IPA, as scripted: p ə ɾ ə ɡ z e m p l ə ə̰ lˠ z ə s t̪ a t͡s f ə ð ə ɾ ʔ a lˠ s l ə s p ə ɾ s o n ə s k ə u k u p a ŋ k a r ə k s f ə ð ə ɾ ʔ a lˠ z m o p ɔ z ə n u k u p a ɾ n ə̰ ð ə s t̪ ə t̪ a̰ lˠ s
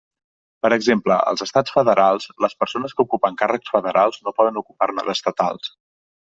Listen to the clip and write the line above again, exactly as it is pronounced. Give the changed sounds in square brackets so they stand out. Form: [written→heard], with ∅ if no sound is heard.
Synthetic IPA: p ə ɾ ə ɡ z e m p l ə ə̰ lˠ z ə s t̪ a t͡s f ə ð ə ɾ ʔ a lˠ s l ə s p ə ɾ s o n ə s k ə u k u p [a→ə] ŋ k a r ə k s f ə ð ə ɾ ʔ a lˠ z [m→n] o p ɔ [z→ð] ə n u k u p a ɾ n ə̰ ð ə s t̪ ə t̪ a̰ lˠ s